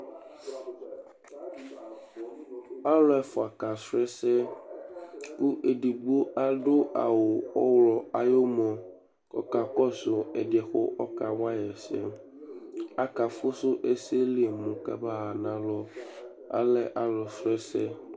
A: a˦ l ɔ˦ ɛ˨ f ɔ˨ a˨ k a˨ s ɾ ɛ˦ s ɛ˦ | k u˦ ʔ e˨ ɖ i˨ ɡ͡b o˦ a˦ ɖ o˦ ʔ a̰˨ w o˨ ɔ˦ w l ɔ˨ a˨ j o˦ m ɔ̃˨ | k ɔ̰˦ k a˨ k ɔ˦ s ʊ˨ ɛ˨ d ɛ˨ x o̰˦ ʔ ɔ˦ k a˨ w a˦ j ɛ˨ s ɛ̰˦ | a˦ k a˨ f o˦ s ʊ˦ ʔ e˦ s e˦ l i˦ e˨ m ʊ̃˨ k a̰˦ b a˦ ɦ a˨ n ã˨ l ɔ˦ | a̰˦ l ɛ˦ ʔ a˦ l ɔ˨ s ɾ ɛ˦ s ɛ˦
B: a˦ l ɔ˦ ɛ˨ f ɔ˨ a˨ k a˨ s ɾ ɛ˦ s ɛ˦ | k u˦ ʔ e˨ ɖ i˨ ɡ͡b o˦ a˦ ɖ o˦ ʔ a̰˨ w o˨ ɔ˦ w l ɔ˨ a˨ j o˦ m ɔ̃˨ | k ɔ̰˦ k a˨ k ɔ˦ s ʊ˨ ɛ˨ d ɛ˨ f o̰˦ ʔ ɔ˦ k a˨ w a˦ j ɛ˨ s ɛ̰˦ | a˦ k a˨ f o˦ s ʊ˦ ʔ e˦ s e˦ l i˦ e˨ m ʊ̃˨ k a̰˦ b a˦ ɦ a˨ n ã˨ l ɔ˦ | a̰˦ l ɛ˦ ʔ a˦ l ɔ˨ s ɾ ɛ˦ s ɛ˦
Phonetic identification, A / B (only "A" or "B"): A